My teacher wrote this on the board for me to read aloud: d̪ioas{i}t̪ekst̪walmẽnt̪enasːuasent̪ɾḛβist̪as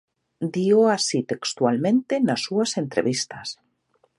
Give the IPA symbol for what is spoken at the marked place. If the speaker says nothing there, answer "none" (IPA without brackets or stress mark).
i